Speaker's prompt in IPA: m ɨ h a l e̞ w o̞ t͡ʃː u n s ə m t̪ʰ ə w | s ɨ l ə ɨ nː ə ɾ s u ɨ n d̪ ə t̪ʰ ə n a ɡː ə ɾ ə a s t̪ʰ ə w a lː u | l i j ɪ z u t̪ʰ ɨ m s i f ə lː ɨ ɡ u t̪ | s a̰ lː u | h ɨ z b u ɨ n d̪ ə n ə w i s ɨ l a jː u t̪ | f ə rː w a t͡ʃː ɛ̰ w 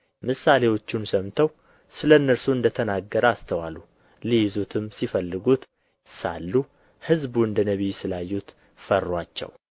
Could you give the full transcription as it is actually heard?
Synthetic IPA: m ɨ s a l e̞ w o̞ t͡ʃː u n s ə m t̪ʰ ə w | s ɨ l ə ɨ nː ə ɾ s u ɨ n d̪ ə t̪ʰ ə n a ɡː ə ɾ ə a s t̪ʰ ə w a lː u | l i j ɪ z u t̪ʰ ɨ m s i f ə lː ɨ ɡ u t̪ | s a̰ lː u | h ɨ z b u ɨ n d̪ ə n ə β i s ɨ l a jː u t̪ | f ə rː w a t͡ʃː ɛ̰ w